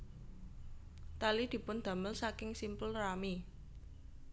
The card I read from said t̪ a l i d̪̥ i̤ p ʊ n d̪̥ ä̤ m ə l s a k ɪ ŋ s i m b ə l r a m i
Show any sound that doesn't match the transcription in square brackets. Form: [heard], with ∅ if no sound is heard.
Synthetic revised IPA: t̪ a l i d̪̥ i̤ p ʊ n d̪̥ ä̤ m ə l s a k ɪ ŋ s i m [p] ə l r a m i